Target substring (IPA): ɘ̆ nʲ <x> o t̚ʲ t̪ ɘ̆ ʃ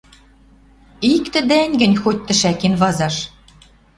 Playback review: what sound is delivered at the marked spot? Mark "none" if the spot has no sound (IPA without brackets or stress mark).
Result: x